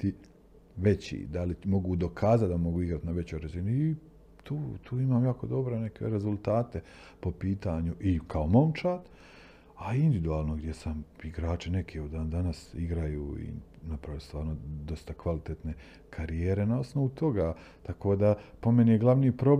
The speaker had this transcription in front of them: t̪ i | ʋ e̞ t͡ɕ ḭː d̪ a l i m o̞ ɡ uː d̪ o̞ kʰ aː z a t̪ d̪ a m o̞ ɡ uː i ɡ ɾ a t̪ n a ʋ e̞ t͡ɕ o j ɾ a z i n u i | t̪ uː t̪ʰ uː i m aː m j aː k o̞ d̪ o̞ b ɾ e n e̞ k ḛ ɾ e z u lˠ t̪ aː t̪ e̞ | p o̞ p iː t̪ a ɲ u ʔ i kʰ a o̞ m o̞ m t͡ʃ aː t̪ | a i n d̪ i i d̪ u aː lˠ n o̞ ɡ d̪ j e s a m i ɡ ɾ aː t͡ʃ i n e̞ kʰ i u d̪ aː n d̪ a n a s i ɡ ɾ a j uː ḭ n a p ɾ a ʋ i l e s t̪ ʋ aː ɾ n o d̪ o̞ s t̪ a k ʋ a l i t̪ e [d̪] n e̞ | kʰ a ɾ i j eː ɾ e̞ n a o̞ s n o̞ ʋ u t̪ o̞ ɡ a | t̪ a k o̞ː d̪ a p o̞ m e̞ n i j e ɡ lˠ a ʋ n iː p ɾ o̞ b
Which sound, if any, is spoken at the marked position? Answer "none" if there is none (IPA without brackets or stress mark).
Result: t̪